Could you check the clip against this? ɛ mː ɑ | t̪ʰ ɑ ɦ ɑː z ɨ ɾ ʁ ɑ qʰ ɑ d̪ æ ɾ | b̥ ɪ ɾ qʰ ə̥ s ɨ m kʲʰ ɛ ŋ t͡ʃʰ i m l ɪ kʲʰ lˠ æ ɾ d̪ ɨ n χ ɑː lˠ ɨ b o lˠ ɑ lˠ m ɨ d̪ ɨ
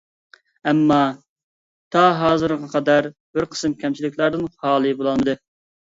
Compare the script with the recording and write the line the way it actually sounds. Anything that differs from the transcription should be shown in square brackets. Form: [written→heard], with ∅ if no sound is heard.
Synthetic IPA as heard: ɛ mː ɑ | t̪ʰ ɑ ɦ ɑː z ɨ ɾ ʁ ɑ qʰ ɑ d̪ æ ɾ | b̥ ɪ ɾ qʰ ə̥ s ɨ m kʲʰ ɛ [ŋ→m] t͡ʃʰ i [m→∅] l ɪ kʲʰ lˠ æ ɾ d̪ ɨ n χ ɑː lˠ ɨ b o lˠ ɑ lˠ m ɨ d̪ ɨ